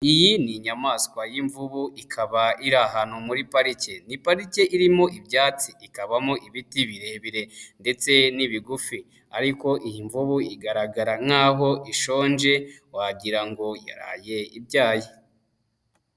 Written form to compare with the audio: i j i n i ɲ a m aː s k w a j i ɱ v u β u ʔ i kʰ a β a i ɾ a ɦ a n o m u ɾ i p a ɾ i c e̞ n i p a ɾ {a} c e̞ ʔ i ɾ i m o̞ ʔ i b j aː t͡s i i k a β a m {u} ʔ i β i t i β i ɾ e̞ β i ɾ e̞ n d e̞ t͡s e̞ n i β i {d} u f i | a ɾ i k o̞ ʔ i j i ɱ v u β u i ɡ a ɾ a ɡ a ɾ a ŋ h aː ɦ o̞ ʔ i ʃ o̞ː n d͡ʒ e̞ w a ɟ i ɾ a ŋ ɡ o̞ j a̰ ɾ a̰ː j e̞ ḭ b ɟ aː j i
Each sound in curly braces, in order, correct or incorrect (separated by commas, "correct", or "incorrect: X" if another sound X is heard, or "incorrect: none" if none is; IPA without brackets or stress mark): incorrect: i, incorrect: o, incorrect: ɡ